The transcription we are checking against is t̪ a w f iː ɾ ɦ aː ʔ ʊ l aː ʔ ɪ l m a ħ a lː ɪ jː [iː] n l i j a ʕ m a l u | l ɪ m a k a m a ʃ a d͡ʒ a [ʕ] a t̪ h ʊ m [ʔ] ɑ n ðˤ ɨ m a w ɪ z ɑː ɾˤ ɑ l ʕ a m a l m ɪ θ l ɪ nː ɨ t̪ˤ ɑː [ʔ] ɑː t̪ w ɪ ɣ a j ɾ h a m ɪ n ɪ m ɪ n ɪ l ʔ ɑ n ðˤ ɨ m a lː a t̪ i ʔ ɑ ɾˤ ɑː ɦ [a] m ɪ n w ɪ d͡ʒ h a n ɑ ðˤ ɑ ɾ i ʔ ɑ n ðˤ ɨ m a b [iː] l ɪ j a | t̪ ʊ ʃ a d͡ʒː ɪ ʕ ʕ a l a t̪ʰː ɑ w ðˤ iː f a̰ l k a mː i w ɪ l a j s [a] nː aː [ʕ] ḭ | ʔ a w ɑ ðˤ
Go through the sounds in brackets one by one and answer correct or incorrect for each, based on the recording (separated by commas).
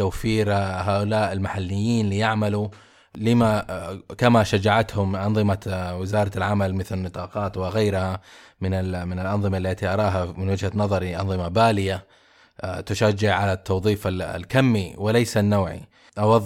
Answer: correct, correct, correct, incorrect, correct, incorrect, correct, correct